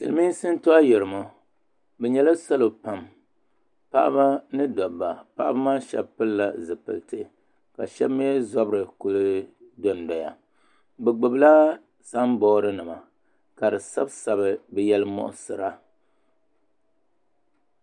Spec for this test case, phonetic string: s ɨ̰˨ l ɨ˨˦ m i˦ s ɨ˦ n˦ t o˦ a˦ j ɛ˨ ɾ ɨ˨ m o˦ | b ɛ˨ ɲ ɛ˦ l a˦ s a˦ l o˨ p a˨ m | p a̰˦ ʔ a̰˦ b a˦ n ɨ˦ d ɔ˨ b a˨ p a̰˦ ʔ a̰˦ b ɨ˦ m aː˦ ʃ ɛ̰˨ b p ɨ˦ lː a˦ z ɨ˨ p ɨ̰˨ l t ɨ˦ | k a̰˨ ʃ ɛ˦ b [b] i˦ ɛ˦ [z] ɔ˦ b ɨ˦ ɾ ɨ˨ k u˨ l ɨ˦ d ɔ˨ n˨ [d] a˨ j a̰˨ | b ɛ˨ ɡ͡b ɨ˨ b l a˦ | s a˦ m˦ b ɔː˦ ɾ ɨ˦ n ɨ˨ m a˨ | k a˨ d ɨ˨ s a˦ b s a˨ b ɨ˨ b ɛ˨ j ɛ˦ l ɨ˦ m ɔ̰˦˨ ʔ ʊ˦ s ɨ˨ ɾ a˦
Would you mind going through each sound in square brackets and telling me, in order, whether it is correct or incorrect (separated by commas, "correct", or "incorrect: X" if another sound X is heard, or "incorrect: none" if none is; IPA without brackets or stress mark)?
incorrect: m, correct, correct